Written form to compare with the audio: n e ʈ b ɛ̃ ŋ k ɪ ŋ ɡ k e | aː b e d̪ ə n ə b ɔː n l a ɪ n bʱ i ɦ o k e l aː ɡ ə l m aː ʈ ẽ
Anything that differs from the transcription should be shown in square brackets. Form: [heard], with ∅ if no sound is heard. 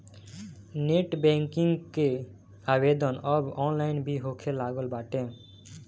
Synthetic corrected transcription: n e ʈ b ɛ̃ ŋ k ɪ ŋ ɡ k e | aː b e d̪ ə n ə b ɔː n l a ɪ n bʱ i ɦ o [kʰ] e l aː ɡ ə l [b] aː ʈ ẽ